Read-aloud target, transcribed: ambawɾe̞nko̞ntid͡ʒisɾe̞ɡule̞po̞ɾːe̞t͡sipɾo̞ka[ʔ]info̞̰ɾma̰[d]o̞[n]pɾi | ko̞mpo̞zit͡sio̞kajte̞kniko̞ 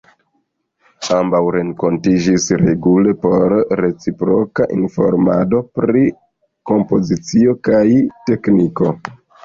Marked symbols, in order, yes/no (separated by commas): yes, yes, no